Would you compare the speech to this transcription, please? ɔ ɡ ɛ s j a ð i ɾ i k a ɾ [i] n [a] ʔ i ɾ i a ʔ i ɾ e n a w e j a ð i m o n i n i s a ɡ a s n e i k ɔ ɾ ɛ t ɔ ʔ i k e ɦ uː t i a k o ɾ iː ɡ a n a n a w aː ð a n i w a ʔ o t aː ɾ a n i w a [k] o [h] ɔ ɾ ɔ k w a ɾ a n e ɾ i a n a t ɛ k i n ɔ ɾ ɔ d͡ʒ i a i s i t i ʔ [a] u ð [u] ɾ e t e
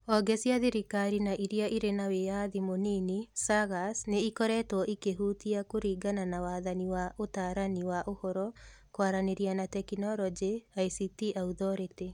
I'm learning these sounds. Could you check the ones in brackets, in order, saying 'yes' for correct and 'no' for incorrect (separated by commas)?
yes, yes, no, yes, yes, no